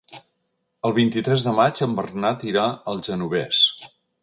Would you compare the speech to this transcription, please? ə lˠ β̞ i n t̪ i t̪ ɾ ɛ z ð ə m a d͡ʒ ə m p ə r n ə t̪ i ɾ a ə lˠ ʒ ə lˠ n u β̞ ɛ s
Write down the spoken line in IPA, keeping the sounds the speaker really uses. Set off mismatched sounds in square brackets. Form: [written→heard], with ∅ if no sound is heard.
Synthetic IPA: ə lˠ β̞ i n t̪ i t̪ ɾ ɛ z ð ə m a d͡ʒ ə m [p→b] ə r n [ə→a] t̪ i ɾ a ə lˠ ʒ ə [lˠ→∅] n u β̞ ɛ s